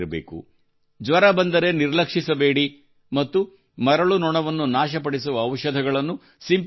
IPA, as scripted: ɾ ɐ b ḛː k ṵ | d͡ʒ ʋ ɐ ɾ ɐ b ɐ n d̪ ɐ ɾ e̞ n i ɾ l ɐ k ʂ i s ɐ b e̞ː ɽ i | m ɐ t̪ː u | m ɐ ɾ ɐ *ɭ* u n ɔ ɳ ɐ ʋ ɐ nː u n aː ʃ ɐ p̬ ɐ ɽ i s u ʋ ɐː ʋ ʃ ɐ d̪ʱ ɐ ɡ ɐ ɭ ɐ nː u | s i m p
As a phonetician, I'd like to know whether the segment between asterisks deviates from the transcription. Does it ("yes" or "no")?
no